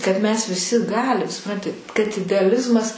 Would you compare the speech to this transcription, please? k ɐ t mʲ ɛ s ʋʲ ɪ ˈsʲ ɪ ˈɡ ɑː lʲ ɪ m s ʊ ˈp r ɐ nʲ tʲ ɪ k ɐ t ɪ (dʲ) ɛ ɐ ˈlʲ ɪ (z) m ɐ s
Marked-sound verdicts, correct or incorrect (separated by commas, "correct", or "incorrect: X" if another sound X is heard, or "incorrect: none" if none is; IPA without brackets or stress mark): correct, correct